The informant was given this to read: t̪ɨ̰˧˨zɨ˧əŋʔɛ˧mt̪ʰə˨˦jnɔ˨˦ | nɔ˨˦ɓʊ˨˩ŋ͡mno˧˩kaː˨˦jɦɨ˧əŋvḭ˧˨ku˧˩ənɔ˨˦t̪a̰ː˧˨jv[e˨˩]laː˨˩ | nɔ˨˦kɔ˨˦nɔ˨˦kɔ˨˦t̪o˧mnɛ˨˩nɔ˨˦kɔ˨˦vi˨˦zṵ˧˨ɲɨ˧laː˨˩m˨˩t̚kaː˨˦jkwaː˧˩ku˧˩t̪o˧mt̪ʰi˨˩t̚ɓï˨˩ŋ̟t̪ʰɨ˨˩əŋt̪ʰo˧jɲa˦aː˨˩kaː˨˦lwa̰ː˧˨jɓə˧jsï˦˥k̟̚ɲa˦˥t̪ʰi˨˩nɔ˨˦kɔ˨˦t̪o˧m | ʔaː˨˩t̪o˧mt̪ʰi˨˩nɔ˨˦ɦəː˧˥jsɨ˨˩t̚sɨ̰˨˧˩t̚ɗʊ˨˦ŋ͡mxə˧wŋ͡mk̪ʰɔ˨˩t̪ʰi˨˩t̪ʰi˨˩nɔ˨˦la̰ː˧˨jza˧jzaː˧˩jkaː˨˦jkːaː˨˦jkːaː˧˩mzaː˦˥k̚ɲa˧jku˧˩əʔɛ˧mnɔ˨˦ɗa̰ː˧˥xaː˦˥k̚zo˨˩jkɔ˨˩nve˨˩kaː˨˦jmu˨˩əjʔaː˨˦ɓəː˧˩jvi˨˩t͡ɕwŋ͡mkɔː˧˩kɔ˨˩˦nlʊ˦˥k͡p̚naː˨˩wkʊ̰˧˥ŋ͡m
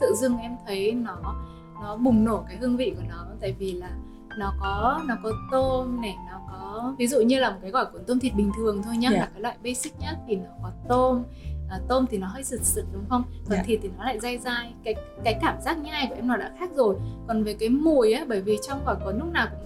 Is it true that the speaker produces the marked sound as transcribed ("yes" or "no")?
no